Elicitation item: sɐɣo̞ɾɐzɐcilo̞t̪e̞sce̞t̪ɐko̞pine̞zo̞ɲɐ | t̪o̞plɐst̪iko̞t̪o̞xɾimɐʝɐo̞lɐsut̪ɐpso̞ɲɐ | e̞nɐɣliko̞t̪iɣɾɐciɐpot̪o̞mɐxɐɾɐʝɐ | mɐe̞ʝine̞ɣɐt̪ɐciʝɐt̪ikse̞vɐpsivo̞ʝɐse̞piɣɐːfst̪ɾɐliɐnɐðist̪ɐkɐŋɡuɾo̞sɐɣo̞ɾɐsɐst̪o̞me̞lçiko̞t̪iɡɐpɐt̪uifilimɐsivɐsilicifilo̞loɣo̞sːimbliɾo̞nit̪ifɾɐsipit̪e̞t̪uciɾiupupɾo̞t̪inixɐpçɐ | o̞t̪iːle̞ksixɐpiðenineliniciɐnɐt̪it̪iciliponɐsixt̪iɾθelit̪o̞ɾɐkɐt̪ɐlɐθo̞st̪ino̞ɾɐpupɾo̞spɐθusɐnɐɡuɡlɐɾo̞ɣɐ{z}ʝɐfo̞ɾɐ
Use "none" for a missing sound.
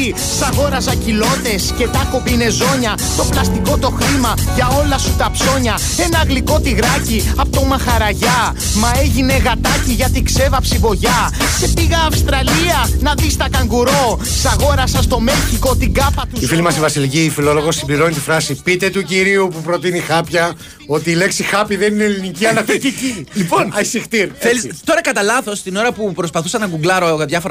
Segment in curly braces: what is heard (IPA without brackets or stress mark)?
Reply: ð